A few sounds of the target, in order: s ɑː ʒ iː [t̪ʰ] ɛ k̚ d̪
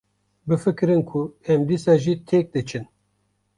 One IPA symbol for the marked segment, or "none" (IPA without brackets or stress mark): t̪ʰ